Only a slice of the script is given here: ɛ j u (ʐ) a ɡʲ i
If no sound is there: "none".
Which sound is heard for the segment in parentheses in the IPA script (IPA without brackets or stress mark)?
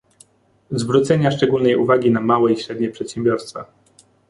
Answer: v